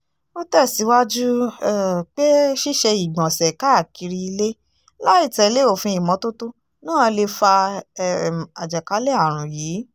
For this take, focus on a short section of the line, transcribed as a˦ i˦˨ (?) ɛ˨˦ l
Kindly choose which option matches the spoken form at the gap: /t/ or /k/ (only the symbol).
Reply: t